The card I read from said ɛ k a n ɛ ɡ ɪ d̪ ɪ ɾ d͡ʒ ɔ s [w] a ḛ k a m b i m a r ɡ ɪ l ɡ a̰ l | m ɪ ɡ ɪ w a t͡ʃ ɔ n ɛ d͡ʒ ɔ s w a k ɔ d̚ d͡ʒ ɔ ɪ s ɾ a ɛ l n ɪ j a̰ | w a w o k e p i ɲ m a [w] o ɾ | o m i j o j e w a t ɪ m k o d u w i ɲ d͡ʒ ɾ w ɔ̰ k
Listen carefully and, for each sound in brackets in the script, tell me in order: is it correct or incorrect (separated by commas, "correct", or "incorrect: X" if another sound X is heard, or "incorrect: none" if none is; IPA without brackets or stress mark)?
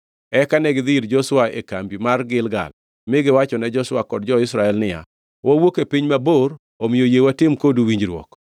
correct, incorrect: b